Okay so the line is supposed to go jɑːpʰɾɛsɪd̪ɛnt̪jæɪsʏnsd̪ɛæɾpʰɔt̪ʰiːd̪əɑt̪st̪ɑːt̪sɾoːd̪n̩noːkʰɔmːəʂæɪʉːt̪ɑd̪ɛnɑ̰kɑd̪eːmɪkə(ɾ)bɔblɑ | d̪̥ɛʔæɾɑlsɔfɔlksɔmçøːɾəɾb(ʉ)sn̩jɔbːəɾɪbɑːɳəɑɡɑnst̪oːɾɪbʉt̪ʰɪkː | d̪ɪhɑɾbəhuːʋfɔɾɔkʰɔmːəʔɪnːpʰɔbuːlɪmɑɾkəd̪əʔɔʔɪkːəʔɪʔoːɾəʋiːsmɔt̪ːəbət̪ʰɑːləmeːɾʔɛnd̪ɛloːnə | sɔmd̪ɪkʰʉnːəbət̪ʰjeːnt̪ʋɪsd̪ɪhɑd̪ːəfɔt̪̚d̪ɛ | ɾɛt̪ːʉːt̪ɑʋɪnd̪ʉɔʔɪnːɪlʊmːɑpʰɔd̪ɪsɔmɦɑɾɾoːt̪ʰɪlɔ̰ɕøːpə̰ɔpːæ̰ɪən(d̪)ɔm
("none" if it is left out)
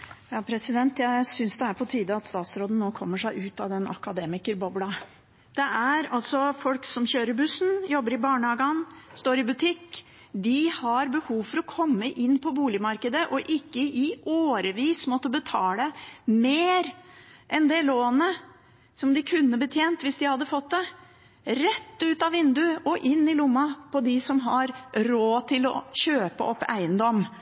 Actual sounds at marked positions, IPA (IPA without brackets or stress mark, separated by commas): ɾ, ʉ, d̪